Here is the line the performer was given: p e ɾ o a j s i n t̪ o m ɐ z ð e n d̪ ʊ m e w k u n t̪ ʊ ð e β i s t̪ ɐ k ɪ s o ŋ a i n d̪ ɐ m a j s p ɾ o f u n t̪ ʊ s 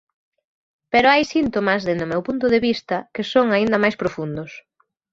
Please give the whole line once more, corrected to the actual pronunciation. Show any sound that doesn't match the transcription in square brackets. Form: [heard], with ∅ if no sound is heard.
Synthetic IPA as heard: p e ɾ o a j s i n t̪ o m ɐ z ð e n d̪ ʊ m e w [p] u n t̪ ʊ ð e β i s t̪ ɐ k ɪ s o ŋ a i n d̪ ɐ m a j s p ɾ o f u n [d̪] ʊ s